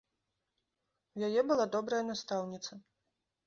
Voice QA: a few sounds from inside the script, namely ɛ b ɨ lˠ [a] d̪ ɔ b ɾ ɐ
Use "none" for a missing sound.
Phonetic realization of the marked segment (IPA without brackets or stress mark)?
a